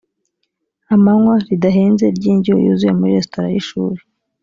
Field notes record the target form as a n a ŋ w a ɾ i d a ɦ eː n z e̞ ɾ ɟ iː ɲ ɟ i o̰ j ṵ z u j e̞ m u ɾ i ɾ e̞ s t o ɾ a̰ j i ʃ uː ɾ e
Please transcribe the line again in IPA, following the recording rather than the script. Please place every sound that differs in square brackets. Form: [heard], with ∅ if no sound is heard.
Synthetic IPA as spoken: a [m] a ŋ w a ɾ i d a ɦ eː n z e̞ ɾ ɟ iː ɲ ɟ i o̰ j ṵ z u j e̞ m u ɾ i ɾ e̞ s t o ɾ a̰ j i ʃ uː ɾ e